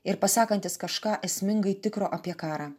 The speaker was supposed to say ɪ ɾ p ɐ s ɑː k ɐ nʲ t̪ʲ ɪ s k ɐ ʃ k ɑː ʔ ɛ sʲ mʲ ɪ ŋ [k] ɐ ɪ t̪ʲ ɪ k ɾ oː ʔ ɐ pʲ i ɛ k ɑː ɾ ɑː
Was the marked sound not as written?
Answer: yes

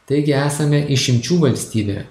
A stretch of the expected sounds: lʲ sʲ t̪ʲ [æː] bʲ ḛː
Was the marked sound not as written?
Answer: yes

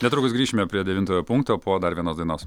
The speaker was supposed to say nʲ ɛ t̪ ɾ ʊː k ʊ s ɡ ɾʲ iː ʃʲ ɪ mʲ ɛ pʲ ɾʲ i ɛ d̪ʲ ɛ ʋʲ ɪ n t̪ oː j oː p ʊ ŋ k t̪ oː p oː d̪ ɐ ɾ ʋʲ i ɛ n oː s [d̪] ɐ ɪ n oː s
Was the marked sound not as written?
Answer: no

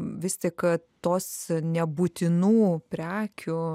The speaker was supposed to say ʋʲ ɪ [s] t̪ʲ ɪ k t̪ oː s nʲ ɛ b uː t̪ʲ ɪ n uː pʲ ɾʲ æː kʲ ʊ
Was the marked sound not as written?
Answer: no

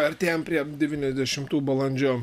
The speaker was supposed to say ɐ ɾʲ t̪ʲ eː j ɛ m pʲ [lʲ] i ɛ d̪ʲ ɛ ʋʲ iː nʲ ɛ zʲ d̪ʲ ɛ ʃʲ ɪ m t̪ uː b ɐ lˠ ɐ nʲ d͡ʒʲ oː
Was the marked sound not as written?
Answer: yes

